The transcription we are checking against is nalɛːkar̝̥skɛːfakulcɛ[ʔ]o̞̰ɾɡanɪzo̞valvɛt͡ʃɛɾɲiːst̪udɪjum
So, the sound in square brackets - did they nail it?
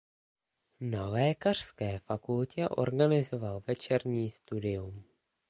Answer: yes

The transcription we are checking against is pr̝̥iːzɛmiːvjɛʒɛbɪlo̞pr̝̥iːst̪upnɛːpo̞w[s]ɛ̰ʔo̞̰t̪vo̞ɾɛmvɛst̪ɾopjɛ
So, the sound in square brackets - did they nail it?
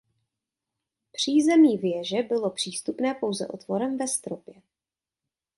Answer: no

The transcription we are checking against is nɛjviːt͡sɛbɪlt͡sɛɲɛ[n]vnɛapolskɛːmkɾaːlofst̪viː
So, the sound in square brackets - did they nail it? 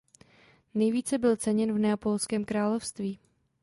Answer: yes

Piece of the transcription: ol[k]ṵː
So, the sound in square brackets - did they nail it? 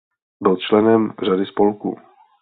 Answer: yes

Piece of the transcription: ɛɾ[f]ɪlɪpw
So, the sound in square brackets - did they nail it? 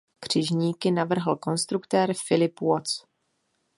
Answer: yes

